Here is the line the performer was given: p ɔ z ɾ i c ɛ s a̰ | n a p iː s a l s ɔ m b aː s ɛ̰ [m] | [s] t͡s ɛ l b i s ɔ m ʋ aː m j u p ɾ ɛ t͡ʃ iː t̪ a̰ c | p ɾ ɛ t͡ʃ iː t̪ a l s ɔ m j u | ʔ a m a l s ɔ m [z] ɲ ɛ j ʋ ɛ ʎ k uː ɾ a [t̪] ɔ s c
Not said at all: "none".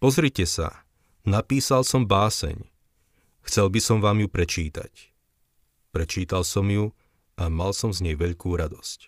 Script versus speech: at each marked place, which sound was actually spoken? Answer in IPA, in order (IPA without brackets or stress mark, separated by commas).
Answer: ɲ, x, z, d̪